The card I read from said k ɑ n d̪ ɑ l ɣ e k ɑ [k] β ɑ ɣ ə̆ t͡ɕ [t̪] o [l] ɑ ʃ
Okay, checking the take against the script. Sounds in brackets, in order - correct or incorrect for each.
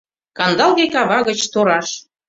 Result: incorrect, correct, incorrect

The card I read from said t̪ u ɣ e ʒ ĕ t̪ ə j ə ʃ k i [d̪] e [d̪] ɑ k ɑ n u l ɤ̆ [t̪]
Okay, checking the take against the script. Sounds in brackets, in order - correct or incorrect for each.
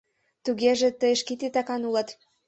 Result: incorrect, incorrect, correct

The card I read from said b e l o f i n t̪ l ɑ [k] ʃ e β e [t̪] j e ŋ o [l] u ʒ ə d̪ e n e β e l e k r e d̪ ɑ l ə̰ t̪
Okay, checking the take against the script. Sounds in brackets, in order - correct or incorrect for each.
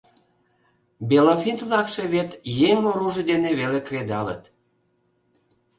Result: correct, correct, incorrect

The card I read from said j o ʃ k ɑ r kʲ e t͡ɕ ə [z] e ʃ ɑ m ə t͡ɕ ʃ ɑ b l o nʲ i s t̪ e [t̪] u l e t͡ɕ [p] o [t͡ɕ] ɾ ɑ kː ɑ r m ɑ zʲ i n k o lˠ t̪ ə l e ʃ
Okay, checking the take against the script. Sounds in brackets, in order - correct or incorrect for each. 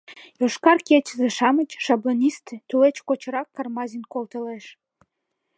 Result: correct, correct, incorrect, correct

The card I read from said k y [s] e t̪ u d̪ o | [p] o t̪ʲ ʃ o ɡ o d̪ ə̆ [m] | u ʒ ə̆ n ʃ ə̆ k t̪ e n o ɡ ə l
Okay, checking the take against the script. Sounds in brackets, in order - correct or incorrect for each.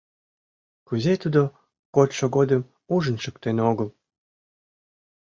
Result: incorrect, incorrect, correct

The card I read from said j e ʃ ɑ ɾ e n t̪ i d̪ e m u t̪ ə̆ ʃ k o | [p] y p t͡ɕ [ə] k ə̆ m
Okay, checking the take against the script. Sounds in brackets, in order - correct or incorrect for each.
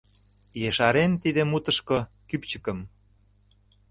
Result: incorrect, correct

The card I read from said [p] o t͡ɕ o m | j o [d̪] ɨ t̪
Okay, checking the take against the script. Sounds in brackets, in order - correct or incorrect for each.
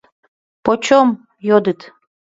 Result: correct, correct

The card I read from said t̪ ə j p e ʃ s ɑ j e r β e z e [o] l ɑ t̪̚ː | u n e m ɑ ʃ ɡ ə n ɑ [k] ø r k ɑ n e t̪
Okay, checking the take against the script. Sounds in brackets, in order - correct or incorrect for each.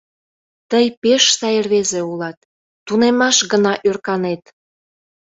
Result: incorrect, incorrect

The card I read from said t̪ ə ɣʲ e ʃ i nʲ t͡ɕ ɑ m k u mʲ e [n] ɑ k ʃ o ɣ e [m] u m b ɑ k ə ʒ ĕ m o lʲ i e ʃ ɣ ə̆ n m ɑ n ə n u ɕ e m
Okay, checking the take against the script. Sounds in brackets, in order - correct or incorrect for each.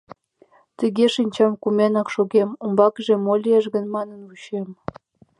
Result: correct, correct

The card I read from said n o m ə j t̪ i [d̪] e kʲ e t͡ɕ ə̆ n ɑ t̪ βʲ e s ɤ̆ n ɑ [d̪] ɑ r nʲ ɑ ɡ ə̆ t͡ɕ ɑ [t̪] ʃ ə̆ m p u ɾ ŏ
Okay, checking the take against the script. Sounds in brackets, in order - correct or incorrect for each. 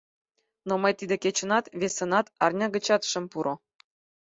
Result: correct, incorrect, correct

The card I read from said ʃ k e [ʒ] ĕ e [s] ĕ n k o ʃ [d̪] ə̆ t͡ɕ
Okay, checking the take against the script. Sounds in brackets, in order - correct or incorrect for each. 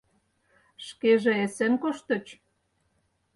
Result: correct, correct, incorrect

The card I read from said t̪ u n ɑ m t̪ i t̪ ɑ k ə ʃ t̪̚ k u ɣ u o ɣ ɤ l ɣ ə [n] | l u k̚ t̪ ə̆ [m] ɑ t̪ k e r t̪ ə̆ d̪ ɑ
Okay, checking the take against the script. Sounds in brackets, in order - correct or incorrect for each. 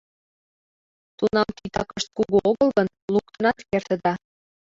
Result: correct, incorrect

